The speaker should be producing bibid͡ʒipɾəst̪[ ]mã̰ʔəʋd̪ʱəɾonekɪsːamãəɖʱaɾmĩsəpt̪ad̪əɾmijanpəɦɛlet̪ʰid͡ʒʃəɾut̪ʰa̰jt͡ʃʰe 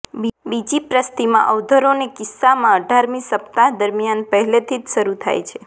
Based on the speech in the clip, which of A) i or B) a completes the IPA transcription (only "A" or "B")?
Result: A